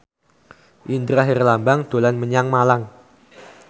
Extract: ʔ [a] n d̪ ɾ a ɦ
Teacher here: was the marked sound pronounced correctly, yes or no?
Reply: no